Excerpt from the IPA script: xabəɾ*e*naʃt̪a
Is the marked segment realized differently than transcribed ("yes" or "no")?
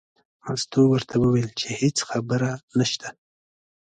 yes